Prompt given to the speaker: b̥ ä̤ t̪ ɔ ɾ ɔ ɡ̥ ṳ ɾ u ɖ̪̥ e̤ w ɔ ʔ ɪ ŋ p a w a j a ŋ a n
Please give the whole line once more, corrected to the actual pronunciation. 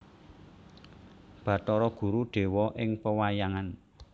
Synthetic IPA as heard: b̥ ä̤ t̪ ɔ ɾ ɔ ɡ̥ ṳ ɾ u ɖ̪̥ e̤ w ɔ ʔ ɪ ŋ p ə w a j a ŋ a n